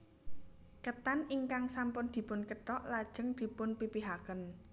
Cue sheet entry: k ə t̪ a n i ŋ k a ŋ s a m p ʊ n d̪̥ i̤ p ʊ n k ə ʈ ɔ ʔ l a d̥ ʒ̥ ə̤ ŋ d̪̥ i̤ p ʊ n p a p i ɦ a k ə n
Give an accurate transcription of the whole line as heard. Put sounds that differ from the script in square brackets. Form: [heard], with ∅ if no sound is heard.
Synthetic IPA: k ə t̪ a n i ŋ k a ŋ s a m p ʊ n d̪̥ i̤ p ʊ n k ə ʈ ɔ ʔ l a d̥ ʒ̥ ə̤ ŋ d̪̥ i̤ p ʊ n p [i] p i ɦ a k ə n